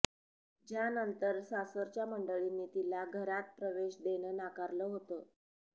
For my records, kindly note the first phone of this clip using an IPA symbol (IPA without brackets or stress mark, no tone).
d͡ʑ